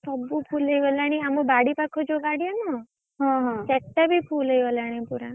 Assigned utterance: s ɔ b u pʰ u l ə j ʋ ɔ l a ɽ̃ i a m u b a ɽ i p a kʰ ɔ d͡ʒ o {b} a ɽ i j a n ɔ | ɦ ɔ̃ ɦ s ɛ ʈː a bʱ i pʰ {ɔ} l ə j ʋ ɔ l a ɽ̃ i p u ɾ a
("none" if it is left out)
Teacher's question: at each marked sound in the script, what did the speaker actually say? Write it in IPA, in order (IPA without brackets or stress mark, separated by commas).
ɡ, u